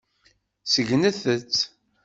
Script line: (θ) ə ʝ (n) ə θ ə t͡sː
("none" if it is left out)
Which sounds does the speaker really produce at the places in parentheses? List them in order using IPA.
s, n

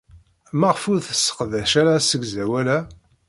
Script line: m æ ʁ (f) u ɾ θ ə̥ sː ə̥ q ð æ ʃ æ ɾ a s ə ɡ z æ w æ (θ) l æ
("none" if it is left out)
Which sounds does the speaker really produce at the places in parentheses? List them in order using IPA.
f, none

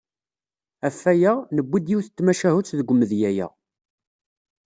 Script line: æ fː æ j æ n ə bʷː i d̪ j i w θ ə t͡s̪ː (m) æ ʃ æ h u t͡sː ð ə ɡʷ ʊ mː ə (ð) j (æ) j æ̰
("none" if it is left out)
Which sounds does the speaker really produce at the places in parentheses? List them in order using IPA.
m, ð, æ

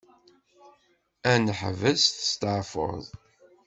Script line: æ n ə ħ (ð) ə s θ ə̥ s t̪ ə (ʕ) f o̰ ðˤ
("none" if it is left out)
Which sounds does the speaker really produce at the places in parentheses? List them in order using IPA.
v, ʕ

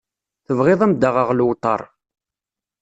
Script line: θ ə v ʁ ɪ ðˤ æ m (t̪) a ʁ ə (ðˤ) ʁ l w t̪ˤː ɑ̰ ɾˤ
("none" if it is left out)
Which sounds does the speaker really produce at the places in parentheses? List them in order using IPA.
d̪, none

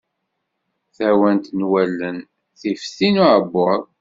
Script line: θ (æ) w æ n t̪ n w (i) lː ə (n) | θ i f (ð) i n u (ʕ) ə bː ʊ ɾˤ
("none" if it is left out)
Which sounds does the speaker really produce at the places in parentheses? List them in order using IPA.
æ, æ, n, θ, ʕ

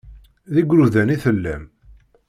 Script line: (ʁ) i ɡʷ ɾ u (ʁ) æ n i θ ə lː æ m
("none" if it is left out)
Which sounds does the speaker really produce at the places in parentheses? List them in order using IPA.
ð, ð

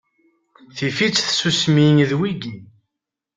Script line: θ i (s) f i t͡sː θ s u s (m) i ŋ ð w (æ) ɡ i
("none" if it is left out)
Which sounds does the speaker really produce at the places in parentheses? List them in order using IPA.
none, m, i

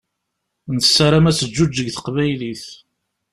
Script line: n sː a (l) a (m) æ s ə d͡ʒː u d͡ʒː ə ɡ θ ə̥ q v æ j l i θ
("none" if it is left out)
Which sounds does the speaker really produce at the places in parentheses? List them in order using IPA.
ɾ, m

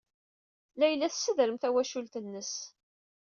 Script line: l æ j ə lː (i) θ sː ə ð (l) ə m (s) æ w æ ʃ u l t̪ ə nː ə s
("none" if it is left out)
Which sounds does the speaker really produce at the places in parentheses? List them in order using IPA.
æ, ɾ, θ

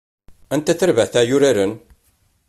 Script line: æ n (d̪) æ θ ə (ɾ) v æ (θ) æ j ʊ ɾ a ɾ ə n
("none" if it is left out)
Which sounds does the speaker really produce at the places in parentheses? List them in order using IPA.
t̪, ɾ, θ

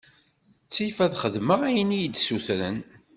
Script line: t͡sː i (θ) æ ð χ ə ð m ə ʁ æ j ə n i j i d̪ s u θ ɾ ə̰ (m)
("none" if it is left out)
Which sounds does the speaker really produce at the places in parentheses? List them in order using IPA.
f, n

